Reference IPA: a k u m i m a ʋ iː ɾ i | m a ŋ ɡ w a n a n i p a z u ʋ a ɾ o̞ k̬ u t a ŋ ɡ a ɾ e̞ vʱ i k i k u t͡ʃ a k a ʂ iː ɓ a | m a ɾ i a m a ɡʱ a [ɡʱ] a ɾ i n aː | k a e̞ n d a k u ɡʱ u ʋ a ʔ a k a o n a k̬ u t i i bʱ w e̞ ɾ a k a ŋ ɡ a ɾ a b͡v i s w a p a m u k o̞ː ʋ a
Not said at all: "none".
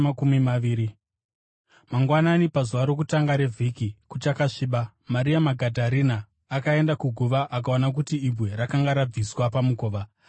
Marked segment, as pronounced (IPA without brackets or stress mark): dʱ